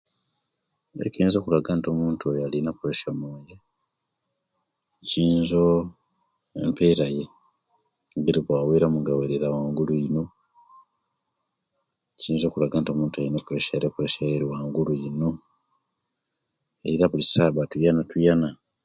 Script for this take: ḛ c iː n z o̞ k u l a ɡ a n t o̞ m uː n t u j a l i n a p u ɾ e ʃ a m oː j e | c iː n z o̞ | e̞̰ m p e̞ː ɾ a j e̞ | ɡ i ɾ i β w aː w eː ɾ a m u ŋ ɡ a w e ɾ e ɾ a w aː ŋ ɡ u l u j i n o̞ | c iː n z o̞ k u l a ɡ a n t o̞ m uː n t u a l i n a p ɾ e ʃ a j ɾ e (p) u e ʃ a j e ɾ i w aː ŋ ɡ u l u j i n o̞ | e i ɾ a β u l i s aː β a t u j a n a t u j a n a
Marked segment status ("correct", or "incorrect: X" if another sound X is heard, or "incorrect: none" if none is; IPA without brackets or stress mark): correct